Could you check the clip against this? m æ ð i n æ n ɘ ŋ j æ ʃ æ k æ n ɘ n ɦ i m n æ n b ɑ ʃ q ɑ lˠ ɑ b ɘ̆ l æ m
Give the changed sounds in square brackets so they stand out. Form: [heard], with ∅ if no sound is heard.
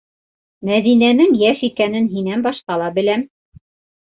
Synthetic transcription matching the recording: m æ ð i n æ n ɘ ŋ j æ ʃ [i] k æ n ɘ n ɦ i [∅] n æ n b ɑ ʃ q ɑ lˠ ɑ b ɘ̆ l æ m